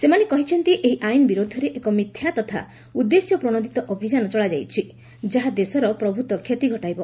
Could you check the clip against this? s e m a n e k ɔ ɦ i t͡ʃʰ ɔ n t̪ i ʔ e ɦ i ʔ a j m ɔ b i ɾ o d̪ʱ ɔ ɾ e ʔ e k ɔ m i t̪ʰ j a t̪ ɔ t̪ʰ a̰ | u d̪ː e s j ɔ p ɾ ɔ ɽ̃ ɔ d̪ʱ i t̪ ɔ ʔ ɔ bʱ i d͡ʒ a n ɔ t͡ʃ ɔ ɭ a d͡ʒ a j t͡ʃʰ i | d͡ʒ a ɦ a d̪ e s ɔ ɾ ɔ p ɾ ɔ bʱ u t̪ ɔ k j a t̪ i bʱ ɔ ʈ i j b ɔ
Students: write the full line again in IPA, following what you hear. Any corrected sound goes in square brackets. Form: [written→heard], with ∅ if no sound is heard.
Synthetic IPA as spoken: s e m a n e k ɔ ɦ i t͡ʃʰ ɔ n t̪ i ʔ e ɦ i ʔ a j [m→n] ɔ b i ɾ o d̪ʱ ɔ ɾ e ʔ e k ɔ m i t̪ʰ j a t̪ ɔ t̪ʰ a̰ | u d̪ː e s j ɔ p ɾ ɔ ɽ̃ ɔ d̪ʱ i t̪ ɔ ʔ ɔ bʱ i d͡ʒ a n ɔ t͡ʃ ɔ ɭ a d͡ʒ a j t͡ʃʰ i | d͡ʒ a ɦ a d̪ e s ɔ ɾ ɔ p ɾ ɔ bʱ u t̪ ɔ [k→kʰ] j [a→e] t̪ i [bʱ→ɡʱ] ɔ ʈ [i→a] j b ɔ